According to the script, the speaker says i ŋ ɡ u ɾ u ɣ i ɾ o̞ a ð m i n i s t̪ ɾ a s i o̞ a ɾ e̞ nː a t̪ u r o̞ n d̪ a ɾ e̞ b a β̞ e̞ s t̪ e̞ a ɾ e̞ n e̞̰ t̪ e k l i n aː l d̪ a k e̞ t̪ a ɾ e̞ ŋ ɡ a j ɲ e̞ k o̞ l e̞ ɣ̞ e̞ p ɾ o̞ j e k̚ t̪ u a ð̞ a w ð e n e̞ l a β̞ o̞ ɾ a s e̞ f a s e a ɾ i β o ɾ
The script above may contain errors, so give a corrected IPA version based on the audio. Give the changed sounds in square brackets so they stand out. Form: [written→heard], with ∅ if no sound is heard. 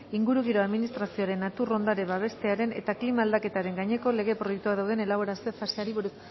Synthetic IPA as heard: i ŋ ɡ u ɾ u ɣ i ɾ o̞ a ð m i n i s t̪ ɾ a s i o̞ a ɾ e̞ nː a t̪ u r o̞ n d̪ a ɾ e̞ b a β̞ e̞ s t̪ e̞ a ɾ e̞ n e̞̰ t̪ [e→a] k l i [n→m] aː l d̪ a k e̞ t̪ a ɾ e̞ ŋ ɡ a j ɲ e̞ k o̞ l e̞ ɣ̞ e̞ p ɾ o̞ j e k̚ t̪ u a ð̞ a w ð e n e̞ l a β̞ o̞ ɾ a s e̞ f a s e a ɾ i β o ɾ